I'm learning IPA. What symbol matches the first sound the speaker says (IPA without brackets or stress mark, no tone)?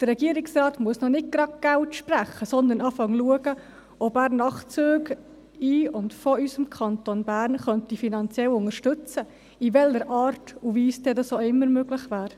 d̥